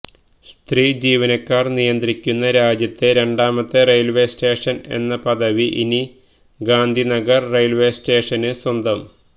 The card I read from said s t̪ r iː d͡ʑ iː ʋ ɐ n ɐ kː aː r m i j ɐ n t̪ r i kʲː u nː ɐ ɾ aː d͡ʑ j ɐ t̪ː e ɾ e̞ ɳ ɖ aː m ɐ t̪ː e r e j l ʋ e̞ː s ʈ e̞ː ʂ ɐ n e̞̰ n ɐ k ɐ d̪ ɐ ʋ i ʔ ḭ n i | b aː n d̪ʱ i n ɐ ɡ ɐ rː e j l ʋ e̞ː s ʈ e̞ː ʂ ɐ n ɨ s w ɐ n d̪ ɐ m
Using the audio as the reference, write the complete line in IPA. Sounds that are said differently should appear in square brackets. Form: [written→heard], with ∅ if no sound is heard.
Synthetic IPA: s t̪ r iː d͡ʑ iː ʋ ɐ n ɐ kː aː r [m→n] i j ɐ n [t̪→d̪] r i kʲː u nː ɐ ɾ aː d͡ʑ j ɐ t̪ː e ɾ e̞ ɳ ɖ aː m ɐ t̪ː e r e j l ʋ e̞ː s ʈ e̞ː ʂ ɐ n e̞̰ [n→nː] ɐ [k→p] ɐ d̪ ɐ ʋ i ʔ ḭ n i | [b→ɡ] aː n d̪ʱ i n ɐ ɡ ɐ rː e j l ʋ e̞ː s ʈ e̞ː ʂ ɐ n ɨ s w ɐ n d̪ ɐ m